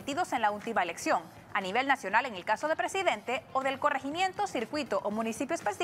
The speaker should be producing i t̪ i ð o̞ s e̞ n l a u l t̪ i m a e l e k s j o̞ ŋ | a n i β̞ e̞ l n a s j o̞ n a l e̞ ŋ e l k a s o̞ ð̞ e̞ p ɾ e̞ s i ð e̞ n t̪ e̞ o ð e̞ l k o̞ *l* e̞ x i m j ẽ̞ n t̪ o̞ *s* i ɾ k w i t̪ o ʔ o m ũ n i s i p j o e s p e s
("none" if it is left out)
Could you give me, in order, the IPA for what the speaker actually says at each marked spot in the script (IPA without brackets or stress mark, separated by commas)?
r, s